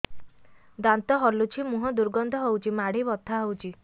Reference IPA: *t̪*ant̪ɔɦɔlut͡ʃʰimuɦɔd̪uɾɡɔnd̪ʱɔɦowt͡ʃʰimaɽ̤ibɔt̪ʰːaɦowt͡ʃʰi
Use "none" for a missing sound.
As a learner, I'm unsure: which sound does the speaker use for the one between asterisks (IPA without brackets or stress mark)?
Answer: d̪